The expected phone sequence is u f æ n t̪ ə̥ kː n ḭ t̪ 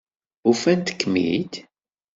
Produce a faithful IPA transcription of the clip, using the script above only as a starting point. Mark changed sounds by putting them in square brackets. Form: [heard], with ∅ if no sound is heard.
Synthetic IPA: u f æ n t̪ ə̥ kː [m] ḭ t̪

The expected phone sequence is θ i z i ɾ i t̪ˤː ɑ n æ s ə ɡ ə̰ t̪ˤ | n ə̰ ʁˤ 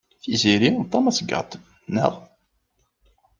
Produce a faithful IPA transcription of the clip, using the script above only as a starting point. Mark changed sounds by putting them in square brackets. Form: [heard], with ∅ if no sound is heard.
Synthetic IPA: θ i z i ɾ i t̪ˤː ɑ [m] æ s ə ɡ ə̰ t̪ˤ | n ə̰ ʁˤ

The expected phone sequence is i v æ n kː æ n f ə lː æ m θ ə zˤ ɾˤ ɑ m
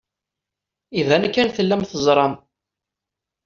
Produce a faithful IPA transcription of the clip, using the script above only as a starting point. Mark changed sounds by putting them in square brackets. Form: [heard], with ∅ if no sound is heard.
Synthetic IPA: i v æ n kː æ n [θ] ə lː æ m θ ə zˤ ɾˤ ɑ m

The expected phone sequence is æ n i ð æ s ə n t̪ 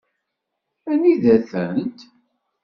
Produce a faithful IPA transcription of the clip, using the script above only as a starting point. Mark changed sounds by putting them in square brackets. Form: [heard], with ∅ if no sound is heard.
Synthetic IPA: æ n i ð æ [θ] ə n t̪

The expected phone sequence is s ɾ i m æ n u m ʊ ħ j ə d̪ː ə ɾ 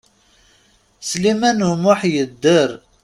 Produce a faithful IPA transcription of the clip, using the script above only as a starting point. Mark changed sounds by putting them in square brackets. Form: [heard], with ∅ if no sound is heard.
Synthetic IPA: s [l] i m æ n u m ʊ ħ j ə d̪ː ə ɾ

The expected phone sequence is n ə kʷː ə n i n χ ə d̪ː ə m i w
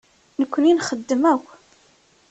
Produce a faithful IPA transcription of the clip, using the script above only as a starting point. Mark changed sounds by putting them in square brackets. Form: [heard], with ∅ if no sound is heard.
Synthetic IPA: n ə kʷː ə n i n χ ə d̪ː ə m [æ] w

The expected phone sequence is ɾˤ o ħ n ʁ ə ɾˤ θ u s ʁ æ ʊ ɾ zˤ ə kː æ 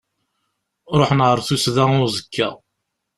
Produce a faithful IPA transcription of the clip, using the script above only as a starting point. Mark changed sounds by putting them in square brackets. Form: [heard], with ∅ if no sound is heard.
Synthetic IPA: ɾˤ o ħ n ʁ ə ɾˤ θ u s [ð] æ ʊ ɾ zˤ ə kː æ

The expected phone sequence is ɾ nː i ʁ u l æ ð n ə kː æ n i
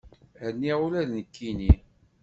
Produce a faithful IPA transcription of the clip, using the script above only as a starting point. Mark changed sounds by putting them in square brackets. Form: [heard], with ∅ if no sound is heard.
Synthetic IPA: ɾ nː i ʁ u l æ ð n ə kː [i] n i

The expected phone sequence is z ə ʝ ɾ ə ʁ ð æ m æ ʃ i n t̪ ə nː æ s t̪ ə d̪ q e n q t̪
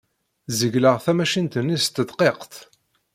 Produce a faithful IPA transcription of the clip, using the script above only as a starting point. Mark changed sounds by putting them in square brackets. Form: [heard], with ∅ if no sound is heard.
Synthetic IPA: z ə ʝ [l] ə ʁ [θ] æ m æ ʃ i n t̪ ə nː [i] s t̪ ə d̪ q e [∅] q t̪

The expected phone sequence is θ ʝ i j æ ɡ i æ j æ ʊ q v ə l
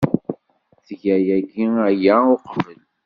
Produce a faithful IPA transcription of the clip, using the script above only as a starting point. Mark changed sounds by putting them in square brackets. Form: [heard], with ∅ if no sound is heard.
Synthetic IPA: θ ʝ [æ] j æ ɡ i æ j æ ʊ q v ə l

